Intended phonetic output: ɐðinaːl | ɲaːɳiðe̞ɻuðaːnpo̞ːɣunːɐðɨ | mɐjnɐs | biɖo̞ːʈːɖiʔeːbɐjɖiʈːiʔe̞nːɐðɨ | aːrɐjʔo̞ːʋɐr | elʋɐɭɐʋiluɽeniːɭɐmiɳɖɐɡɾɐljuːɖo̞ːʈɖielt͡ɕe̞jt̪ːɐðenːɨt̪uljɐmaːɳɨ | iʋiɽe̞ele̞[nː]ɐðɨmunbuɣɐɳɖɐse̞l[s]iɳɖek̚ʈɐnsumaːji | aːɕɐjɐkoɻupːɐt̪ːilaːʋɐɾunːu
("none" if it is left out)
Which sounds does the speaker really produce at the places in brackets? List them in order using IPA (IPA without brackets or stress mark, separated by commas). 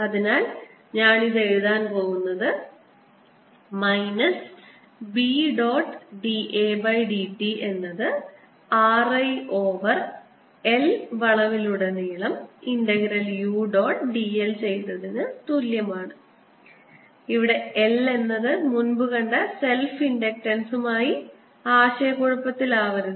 nː, f